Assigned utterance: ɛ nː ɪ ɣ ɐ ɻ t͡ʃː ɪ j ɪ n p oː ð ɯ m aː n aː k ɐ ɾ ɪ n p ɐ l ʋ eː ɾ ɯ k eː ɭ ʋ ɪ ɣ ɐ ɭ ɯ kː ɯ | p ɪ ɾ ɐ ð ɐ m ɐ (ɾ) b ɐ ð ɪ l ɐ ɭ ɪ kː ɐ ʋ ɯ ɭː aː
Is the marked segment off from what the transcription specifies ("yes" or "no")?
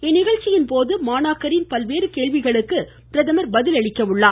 no